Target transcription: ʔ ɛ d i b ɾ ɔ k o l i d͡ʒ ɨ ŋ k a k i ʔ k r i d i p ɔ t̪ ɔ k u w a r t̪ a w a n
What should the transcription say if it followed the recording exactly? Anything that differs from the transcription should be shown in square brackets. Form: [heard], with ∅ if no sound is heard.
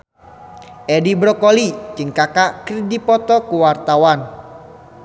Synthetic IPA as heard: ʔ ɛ d i b ɾ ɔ k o l i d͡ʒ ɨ ŋ k a k [a] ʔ k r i d i p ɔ t̪ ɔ k u w a r t̪ a w a n